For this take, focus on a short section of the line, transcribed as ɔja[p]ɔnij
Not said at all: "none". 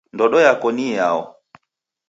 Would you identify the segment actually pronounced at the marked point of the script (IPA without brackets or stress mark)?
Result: k